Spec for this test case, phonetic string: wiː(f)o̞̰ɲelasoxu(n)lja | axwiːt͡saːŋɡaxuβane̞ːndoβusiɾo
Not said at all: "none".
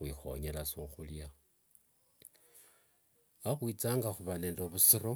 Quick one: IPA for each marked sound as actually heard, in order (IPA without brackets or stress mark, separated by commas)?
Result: x, none